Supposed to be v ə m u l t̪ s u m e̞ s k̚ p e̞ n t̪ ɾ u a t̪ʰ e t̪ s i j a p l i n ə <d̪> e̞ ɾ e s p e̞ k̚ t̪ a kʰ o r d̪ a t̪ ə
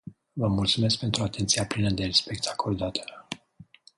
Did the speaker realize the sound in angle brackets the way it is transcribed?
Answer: yes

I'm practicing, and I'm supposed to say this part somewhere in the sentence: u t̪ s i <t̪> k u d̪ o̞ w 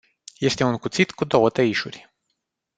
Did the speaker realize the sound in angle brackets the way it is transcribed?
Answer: yes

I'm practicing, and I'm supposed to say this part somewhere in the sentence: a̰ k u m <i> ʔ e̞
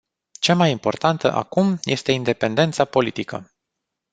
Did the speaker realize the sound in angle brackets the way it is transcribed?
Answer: no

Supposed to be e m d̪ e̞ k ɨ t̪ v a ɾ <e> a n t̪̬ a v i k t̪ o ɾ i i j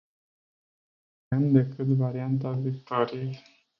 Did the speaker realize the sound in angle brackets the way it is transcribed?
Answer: no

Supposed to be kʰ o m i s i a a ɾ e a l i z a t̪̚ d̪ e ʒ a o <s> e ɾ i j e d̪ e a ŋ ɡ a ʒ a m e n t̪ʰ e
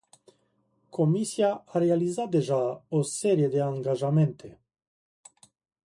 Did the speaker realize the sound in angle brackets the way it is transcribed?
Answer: yes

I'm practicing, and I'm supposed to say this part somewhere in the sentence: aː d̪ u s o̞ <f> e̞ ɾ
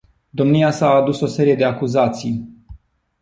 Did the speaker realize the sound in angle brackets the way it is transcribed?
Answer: no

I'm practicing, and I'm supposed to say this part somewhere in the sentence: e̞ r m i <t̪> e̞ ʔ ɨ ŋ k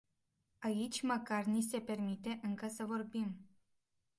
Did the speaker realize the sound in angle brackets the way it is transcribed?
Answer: yes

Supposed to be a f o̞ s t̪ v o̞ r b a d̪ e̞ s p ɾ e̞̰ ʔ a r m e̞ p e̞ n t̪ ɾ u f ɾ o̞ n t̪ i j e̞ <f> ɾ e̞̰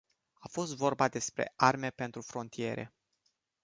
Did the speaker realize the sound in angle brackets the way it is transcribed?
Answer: no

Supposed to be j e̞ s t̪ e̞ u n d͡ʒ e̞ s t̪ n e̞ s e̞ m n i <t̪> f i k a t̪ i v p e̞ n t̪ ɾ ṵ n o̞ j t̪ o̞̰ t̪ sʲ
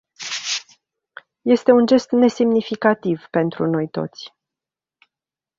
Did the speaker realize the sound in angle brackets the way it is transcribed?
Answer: no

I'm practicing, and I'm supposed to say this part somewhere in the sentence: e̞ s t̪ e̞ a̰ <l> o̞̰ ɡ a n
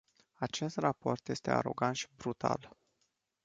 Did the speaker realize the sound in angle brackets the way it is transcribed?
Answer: no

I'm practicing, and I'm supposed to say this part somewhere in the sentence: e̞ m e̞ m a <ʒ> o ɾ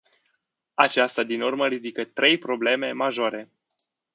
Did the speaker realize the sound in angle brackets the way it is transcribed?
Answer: yes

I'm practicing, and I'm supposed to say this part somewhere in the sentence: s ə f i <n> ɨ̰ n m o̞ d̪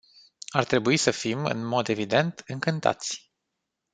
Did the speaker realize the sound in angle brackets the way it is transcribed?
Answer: no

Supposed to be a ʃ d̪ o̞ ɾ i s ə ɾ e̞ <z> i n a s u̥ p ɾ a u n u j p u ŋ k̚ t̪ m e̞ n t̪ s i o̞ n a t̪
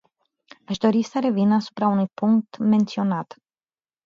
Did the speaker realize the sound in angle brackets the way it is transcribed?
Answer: no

